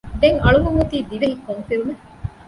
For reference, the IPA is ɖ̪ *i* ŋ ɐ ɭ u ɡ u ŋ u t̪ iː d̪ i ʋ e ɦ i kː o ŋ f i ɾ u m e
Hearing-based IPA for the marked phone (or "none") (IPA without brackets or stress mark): e